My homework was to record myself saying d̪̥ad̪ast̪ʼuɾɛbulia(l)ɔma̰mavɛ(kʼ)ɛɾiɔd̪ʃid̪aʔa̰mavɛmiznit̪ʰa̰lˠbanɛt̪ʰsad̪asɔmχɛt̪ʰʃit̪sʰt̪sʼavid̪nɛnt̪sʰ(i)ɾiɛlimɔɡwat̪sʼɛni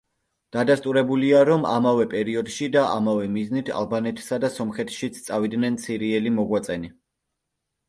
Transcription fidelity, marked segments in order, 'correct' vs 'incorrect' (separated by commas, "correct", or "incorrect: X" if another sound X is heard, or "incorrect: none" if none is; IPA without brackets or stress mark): incorrect: ɾ, incorrect: pʼ, correct